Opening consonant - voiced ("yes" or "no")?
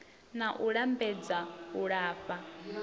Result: yes